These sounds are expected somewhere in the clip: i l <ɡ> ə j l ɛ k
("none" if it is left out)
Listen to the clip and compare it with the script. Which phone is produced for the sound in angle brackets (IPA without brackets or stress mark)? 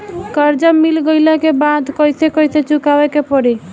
ɡ